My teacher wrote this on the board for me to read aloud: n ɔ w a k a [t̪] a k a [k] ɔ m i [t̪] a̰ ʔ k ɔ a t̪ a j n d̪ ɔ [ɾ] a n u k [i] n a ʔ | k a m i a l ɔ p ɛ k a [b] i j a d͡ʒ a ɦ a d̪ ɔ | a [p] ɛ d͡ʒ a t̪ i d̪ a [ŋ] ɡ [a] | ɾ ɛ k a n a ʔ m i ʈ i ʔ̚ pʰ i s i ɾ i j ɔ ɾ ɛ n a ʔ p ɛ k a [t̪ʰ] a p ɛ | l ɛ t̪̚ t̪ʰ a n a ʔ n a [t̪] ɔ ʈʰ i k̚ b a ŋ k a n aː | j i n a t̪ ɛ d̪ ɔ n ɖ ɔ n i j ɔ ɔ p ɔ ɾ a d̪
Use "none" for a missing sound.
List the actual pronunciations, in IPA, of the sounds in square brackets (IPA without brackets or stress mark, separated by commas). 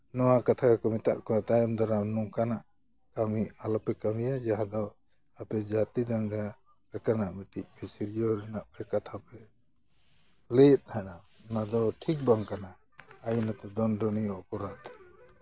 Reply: t̪ʰ, k, t̪, ɾ, a, m, p, ŋ, a, t̪ʰ, d̪